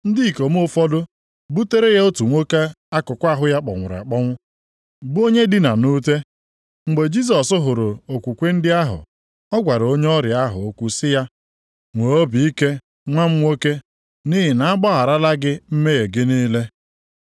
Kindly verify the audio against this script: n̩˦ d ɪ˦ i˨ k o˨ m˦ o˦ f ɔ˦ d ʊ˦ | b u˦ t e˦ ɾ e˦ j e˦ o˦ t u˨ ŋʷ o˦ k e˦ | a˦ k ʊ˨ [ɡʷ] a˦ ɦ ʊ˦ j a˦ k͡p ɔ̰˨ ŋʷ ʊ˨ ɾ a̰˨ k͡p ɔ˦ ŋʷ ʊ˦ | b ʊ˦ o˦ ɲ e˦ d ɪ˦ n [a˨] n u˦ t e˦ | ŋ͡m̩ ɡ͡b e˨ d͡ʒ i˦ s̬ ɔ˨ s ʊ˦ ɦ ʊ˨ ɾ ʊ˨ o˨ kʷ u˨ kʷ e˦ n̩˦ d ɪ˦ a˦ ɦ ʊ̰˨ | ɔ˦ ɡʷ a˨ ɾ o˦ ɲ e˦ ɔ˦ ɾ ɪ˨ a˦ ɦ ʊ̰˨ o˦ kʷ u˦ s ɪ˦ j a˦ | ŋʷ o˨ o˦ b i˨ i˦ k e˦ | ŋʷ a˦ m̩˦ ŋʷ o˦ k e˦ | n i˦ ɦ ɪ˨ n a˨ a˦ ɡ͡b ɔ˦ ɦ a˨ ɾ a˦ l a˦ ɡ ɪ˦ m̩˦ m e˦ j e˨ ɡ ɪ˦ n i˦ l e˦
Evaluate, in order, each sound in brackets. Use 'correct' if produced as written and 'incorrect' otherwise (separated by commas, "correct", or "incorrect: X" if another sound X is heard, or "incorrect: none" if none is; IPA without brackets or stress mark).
incorrect: kʷ, correct